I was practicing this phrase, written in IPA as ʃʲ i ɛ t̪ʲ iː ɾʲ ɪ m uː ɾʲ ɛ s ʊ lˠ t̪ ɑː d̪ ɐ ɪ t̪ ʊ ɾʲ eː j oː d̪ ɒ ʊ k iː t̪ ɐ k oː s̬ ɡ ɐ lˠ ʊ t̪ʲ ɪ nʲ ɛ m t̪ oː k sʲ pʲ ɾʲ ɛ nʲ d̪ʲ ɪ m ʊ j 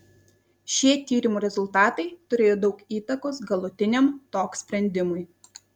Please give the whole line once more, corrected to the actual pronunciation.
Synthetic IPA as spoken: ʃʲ i ɛ t̪ʲ iː ɾʲ ɪ m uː ɾʲ ɛ z ʊ lˠ t̪ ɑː t̪ ɐ ɪ t̪ ʊ ɾʲ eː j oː d̪ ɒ ʊ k iː t̪ ɐ k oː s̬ ɡ ɐ lˠ ʊ t̪ʲ ɪ nʲ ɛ m t̪ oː k sʲ pʲ ɾʲ ɛ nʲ d̪ʲ ɪ m ʊ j